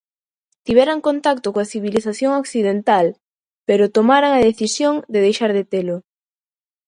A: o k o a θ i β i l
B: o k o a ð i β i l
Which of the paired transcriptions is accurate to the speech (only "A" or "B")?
A